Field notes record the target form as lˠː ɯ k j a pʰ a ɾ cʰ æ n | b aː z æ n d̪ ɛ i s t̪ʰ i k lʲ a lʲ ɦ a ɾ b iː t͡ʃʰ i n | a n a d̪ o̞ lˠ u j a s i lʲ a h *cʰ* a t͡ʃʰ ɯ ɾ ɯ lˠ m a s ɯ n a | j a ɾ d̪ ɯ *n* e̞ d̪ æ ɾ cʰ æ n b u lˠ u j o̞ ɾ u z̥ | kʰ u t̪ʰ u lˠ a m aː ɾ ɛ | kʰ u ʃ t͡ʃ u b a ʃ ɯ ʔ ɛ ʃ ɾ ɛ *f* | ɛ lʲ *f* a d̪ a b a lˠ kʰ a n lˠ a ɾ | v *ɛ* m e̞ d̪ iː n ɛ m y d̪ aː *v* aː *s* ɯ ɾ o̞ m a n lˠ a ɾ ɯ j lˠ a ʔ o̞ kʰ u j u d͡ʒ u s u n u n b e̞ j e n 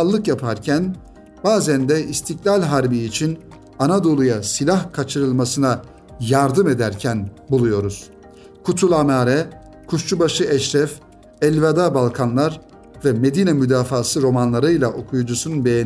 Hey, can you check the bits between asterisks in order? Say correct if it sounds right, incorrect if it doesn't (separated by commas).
incorrect, incorrect, correct, incorrect, correct, incorrect, correct